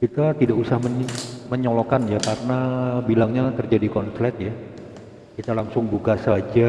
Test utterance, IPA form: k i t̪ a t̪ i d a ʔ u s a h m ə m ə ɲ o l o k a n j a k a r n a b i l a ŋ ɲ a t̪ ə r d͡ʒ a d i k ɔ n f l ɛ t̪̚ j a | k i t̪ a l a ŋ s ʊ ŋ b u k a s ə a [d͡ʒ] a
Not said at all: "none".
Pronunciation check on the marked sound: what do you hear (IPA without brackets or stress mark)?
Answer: d͡ʒ